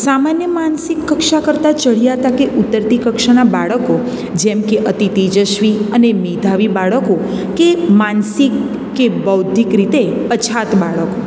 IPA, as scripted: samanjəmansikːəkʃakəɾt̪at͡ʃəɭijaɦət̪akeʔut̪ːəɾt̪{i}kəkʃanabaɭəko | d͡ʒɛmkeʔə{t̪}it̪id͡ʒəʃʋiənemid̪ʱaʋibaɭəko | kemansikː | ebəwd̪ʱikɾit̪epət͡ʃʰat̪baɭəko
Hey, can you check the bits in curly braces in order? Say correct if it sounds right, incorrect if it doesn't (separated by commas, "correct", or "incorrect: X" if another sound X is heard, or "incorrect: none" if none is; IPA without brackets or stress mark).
correct, correct